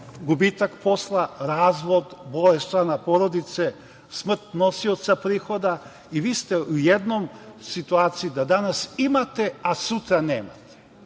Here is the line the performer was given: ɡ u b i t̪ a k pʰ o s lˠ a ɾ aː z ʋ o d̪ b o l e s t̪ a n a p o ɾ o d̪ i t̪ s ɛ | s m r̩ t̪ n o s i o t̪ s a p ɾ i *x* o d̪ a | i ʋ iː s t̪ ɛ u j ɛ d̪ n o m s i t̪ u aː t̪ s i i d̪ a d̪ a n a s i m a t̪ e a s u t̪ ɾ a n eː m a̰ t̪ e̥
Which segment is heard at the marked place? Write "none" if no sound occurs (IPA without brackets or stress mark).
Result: x